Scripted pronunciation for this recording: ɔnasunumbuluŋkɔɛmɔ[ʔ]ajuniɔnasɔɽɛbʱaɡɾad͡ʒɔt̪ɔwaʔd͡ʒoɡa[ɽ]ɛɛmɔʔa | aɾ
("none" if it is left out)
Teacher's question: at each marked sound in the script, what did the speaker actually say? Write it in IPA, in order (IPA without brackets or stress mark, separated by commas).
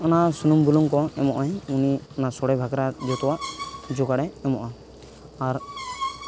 ʔ, ɽ